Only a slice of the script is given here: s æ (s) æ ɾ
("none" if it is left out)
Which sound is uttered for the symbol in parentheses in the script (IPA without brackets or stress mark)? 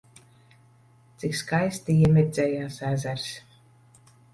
z